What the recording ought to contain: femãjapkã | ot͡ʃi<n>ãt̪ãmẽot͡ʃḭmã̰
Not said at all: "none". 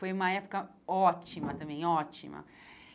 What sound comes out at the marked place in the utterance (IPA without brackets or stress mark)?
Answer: m